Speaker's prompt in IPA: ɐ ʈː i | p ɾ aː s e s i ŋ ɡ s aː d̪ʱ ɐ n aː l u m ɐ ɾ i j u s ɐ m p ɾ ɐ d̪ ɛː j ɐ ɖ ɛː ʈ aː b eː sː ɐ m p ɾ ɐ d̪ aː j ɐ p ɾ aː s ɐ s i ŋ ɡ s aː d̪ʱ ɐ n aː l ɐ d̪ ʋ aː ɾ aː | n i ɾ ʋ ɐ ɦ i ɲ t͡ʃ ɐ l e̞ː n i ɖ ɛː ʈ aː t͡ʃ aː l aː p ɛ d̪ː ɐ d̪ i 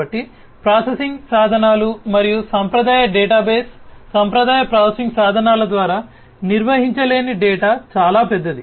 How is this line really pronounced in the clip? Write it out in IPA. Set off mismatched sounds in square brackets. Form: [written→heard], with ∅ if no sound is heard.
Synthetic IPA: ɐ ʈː i | p ɾ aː s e s i ŋ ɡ s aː d̪ʱ ɐ n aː l u m ɐ ɾ i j u s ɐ m p ɾ ɐ d̪ [ɛː→aː] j ɐ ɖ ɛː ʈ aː b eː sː ɐ m p ɾ ɐ d̪ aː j ɐ p ɾ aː s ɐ s i ŋ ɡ s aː d̪ʱ ɐ n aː l ɐ d̪ ʋ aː ɾ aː | n i ɾ ʋ ɐ ɦ i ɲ t͡ʃ ɐ l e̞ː n i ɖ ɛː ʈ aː t͡ʃ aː l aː p ɛ d̪ː ɐ d̪ i